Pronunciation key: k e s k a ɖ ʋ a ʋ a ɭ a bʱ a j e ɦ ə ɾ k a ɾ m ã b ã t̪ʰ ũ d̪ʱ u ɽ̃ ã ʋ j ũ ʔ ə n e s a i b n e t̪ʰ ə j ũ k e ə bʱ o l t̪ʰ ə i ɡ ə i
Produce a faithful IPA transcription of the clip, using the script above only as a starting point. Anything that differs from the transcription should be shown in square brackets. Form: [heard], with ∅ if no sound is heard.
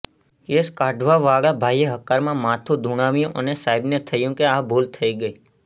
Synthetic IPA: k e s k a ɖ ʋ a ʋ a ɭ a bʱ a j e ɦ ə [∅] k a ɾ m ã [m] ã t̪ʰ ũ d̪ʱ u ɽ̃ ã ʋ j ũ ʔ ə n e s a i b n e t̪ʰ ə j ũ k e [a] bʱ o l t̪ʰ ə i ɡ ə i